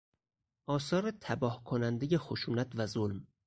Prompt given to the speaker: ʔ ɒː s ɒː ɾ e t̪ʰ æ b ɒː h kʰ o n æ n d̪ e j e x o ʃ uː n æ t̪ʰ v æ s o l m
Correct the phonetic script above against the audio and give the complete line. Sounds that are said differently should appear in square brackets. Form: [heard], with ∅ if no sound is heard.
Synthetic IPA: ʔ ɒː s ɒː ɾ e t̪ʰ æ b ɒː h kʰ o n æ n d̪ e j e x o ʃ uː n æ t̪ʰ v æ [z] o l m